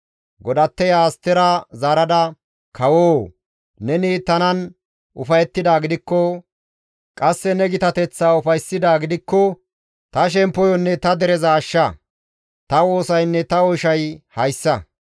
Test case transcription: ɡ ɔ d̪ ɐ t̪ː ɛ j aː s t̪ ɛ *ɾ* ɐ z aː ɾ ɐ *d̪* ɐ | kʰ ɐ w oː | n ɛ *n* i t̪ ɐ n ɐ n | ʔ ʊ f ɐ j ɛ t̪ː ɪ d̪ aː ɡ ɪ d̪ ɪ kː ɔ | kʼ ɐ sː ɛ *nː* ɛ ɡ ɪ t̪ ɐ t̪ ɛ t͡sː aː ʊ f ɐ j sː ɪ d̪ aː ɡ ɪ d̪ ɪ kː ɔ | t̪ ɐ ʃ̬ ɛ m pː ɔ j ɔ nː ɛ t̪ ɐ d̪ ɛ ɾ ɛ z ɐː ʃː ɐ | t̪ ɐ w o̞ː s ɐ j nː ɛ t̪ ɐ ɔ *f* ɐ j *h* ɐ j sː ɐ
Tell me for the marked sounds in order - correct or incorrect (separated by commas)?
correct, correct, correct, incorrect, incorrect, correct